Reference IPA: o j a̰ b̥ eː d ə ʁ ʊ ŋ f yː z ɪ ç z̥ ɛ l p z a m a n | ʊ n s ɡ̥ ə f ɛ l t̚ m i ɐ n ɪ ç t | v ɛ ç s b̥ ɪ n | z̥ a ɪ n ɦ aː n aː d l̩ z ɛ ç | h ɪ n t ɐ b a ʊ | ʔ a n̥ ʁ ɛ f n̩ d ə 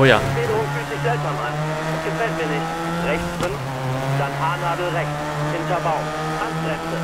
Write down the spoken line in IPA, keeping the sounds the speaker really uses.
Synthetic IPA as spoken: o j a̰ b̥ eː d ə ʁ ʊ ŋ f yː z ɪ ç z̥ ɛ l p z a m a n | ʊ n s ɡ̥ ə f ɛ l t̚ m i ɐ n ɪ ç t | ʁ ɛ ç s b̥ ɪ n | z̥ a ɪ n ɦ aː n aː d l̩ ʁ ɛ ç | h ɪ n t ɐ b a ʊ | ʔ a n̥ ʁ ɛ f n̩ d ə

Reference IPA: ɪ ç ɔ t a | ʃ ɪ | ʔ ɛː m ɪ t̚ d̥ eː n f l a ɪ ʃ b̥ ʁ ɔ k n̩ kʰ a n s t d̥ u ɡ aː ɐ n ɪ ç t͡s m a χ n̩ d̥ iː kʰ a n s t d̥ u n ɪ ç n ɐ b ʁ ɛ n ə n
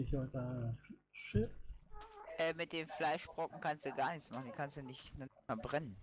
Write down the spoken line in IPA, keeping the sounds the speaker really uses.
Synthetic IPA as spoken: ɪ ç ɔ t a | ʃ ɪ | ʔ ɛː m ɪ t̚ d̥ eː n f l a ɪ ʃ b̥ ʁ ɔ k ŋ̩ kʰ a n s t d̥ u ɡ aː ɐ n ɪ ç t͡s m a χ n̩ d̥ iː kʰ a n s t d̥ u n ɪ ç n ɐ b ʁ ɛ n ə n

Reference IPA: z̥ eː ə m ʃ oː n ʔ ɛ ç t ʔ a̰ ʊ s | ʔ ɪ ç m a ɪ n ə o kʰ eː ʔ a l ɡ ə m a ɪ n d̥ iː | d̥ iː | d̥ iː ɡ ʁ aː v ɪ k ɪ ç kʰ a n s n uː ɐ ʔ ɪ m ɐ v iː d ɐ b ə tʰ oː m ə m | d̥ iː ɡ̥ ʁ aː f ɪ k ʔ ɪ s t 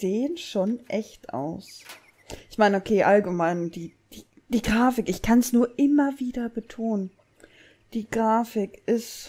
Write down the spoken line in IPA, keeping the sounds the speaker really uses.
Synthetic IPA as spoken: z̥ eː ə n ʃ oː n ʔ ɛ ç t ʔ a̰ ʊ s | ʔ ɪ ç m a ɪ n ə o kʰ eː ʔ a l ɡ ə m a ɪ n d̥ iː | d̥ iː | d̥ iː ɡ ʁ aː f ɪ k ɪ ç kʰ a n s n uː ɐ ʔ ɪ m ɐ v iː d ɐ b ə tʰ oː n ə n | d̥ iː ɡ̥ ʁ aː f ɪ k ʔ ɪ s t

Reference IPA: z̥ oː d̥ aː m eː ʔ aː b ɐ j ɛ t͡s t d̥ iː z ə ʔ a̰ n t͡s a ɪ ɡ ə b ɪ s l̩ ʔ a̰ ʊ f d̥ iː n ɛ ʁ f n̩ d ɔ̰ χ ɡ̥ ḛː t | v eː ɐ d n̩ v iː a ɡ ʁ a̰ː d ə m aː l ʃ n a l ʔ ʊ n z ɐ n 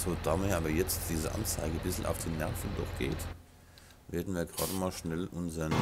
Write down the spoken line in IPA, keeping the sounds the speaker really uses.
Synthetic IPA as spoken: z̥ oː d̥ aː m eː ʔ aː b ɐ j ɛ t͡s t d̥ iː z ə ʔ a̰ n t͡s a ɪ ɡ ə b ɪ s l̩ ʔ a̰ ʊ f d̥ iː n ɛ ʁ f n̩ d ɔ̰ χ ɡ̥ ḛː t | v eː ɐ d n̩ v iː ɐ ɡ ʁ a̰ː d ə m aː l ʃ n ɛ l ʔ ʊ n z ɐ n

